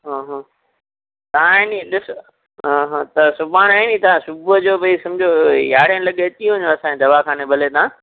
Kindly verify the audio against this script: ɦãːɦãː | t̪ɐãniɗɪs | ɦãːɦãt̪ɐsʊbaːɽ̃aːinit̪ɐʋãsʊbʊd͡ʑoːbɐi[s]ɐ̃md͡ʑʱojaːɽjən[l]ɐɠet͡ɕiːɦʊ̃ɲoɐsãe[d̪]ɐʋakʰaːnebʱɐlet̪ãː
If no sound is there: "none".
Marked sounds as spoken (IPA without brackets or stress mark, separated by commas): s, l, d̪